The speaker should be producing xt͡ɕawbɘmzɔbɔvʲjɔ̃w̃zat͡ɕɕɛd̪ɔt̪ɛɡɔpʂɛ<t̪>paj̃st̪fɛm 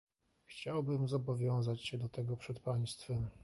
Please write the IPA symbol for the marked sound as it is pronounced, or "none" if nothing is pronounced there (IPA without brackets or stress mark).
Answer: t̪